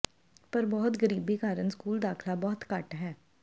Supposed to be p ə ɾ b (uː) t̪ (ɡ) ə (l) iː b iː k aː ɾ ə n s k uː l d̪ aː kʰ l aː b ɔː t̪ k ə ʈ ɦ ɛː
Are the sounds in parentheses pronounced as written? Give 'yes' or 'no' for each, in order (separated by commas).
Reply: no, yes, no